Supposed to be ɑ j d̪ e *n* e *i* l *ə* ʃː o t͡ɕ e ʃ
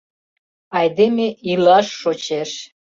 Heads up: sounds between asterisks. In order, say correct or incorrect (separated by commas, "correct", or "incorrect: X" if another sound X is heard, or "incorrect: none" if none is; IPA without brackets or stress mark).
incorrect: m, correct, incorrect: ɑ